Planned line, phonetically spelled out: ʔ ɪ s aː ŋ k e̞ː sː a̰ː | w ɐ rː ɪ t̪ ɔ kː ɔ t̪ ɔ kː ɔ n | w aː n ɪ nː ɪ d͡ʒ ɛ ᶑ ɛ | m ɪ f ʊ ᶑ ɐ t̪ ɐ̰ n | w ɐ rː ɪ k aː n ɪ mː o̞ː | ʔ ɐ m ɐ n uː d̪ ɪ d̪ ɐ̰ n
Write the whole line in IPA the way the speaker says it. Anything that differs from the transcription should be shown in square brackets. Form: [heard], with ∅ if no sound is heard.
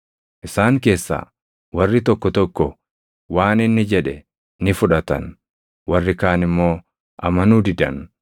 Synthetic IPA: ʔ ɪ s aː ŋ k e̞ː sː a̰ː | w ɐ rː ɪ t̪ ɔ kː ɔ t̪ ɔ kː ɔ [∅] | w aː n ɪ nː ɪ d͡ʒ ɛ ᶑ ɛ | [n] ɪ f ʊ ᶑ ɐ t̪ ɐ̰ n | w ɐ rː ɪ k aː n ɪ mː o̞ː | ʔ ɐ m ɐ n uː d̪ ɪ d̪ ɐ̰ n